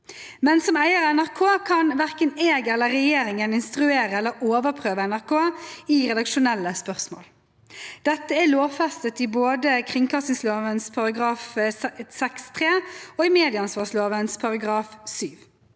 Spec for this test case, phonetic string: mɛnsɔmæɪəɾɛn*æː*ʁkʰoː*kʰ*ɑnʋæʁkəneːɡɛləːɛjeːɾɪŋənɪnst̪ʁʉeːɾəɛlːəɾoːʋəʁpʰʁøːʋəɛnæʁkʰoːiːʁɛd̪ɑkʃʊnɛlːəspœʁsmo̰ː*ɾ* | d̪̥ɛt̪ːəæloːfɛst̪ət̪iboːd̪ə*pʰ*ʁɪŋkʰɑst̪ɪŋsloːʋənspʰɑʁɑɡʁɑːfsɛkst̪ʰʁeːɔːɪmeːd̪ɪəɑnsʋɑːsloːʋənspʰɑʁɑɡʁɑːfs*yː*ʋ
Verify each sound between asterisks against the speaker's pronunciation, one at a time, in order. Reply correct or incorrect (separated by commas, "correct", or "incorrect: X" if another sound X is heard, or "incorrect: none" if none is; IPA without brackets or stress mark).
incorrect: æ, correct, incorrect: l, incorrect: kʰ, correct